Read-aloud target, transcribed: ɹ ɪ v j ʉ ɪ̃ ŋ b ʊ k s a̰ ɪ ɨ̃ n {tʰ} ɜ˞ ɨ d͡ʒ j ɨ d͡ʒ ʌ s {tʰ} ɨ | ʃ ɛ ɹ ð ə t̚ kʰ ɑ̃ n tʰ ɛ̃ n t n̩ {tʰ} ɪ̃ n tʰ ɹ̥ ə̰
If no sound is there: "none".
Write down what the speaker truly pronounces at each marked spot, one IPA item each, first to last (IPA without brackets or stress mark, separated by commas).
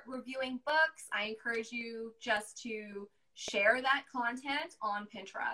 kʰ, tʰ, pʰ